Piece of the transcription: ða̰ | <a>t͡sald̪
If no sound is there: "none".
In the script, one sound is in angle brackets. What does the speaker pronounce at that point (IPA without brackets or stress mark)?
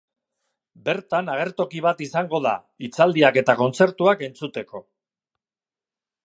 i